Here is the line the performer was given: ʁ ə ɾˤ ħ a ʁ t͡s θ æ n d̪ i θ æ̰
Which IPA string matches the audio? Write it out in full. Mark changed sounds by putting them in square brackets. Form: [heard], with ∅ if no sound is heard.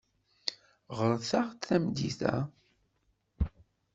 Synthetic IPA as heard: ʁ ə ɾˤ [θ] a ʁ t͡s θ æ [m] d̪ i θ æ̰